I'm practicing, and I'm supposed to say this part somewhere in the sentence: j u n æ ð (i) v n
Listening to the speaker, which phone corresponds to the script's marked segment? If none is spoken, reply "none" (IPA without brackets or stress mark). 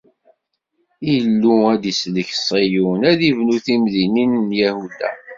i